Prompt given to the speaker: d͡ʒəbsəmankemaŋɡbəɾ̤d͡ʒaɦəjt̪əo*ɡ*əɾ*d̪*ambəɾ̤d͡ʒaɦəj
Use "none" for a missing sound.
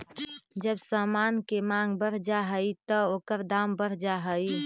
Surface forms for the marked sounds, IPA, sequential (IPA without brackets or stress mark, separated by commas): k, d̪